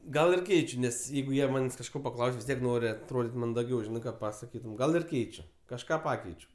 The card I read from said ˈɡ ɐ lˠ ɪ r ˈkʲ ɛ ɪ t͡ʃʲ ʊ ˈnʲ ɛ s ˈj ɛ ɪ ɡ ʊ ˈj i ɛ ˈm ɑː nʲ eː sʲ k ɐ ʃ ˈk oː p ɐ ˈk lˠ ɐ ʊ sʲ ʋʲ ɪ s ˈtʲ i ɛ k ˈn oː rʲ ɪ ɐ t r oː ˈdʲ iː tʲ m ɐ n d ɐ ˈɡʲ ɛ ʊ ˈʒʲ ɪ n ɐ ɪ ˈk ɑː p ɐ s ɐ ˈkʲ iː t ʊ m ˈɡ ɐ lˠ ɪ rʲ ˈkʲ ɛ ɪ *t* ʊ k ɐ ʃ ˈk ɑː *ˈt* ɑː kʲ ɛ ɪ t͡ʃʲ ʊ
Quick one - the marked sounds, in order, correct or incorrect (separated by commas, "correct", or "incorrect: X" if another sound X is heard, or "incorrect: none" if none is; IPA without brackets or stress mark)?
incorrect: t͡ʃʲ, incorrect: p